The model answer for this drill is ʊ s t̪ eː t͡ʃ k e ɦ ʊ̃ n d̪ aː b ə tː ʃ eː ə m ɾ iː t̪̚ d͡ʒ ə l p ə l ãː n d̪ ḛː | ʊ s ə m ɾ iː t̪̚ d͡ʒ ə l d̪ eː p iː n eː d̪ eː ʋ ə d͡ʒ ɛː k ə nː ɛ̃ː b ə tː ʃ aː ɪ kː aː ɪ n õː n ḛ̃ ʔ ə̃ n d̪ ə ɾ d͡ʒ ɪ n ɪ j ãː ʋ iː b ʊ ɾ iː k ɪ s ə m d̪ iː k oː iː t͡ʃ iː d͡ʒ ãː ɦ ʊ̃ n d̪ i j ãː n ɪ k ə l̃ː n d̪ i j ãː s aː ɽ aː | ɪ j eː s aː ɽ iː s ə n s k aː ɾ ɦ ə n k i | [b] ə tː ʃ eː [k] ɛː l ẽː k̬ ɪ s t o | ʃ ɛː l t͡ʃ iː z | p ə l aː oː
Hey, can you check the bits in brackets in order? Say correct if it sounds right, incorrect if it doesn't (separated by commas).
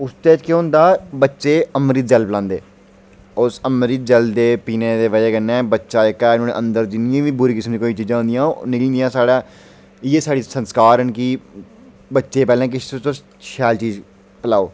correct, incorrect